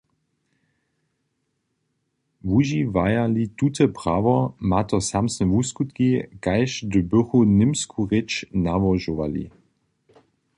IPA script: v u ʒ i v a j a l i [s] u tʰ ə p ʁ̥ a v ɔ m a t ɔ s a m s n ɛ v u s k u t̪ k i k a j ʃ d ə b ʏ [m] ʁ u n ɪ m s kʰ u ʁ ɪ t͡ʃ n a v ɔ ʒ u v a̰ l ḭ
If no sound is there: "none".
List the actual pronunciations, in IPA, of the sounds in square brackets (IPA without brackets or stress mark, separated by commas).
t, none